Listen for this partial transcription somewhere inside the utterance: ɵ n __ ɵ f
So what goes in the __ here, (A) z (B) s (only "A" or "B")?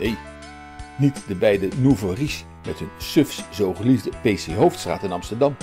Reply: B